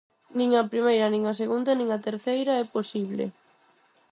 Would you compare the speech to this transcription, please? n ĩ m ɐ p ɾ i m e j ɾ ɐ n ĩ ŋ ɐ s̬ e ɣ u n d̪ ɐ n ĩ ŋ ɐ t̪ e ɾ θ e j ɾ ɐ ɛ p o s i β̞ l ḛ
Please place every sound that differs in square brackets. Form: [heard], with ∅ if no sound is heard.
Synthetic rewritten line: n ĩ [ŋ] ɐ p ɾ i m e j ɾ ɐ n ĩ ŋ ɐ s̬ e ɣ u n d̪ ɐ n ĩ ŋ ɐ t̪ e ɾ θ e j ɾ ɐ ɛ p o s i β̞ l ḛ